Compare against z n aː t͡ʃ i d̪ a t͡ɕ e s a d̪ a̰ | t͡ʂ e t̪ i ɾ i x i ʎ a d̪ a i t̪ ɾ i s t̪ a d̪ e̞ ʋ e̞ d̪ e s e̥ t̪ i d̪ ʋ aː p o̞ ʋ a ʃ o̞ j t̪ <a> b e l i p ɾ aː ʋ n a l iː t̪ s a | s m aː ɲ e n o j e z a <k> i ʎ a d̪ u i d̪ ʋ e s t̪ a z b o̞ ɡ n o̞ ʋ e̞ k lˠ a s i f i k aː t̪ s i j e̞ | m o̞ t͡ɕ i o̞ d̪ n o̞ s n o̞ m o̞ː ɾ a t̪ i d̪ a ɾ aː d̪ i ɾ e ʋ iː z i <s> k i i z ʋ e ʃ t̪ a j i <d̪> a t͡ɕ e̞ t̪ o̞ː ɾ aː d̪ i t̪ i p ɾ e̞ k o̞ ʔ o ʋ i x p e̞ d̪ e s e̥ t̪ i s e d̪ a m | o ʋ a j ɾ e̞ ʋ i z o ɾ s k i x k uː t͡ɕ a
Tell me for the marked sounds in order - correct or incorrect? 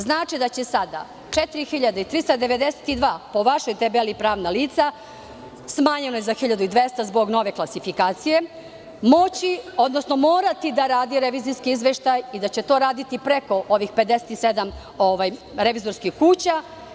incorrect: e, incorrect: x, correct, correct

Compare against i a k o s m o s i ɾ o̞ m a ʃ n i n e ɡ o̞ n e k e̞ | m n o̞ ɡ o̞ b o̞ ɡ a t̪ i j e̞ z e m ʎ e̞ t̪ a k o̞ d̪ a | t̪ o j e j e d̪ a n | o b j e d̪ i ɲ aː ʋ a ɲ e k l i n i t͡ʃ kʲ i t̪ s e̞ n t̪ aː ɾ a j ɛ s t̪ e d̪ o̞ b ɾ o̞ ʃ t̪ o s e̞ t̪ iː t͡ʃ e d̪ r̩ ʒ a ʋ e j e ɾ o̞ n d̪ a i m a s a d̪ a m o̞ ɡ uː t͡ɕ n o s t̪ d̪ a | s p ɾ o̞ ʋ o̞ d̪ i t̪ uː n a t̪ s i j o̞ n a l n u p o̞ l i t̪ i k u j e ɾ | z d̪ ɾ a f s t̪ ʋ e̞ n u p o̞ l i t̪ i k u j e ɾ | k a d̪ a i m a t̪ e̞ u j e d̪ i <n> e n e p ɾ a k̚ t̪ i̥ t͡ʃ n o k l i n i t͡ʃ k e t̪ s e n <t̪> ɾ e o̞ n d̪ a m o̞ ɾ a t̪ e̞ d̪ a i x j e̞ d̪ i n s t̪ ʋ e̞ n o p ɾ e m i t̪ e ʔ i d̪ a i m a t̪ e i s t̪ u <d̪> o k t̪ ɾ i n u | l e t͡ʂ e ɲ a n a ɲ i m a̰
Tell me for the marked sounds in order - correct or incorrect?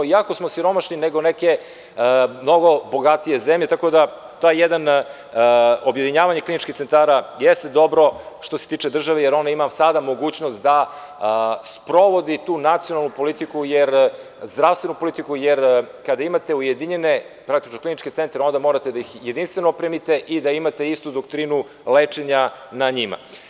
incorrect: ɲ, correct, correct

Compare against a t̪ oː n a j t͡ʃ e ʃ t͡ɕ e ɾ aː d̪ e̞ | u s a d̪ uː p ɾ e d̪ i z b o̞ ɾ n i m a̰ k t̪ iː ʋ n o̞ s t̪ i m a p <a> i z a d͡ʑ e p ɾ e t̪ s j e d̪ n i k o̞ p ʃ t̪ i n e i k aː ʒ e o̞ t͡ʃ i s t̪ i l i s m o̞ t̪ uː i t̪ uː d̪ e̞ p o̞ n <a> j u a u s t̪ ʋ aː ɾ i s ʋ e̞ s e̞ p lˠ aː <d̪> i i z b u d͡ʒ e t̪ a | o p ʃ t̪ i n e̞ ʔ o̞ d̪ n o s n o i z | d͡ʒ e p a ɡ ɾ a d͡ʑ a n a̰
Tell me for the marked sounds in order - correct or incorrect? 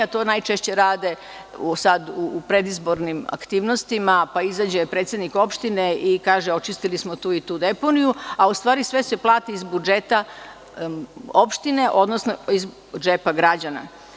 correct, incorrect: i, incorrect: t̪

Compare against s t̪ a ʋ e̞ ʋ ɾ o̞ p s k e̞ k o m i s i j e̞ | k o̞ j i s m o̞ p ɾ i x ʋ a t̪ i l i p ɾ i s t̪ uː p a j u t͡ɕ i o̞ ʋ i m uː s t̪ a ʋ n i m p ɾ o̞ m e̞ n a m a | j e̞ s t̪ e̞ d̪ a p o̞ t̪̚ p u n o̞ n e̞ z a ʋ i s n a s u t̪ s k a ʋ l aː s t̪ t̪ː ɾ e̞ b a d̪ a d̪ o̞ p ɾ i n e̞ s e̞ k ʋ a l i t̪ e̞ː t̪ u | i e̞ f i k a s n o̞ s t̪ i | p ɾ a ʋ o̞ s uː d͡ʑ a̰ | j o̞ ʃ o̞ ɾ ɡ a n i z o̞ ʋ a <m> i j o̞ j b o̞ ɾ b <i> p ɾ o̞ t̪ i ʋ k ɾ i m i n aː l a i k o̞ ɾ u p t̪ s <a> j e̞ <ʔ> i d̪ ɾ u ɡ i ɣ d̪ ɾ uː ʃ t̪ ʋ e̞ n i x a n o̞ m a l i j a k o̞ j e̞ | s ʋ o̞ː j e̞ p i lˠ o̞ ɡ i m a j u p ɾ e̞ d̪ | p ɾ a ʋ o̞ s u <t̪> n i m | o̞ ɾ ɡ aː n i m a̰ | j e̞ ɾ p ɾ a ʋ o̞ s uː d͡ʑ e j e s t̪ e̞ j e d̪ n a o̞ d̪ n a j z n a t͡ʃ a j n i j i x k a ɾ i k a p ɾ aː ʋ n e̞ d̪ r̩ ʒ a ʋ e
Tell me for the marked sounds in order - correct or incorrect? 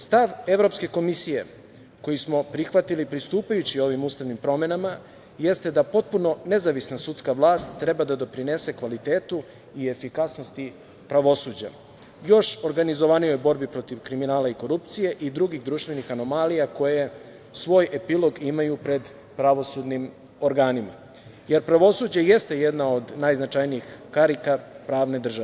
incorrect: n, correct, incorrect: i, correct, incorrect: d̪

